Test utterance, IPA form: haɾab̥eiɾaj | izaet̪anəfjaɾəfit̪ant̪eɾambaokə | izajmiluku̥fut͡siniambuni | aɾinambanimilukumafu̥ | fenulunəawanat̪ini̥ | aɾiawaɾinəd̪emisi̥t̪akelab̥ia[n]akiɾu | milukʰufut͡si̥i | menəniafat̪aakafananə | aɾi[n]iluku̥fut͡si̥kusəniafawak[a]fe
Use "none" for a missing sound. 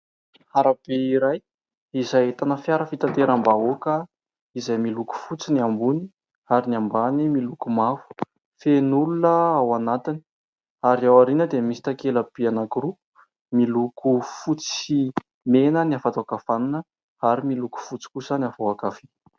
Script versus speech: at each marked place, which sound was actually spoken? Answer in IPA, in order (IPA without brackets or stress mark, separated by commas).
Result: n, m, a